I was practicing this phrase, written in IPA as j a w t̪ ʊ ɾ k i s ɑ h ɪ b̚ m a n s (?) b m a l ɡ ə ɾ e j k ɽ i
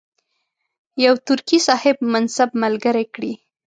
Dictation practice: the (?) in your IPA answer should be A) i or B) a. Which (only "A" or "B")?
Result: B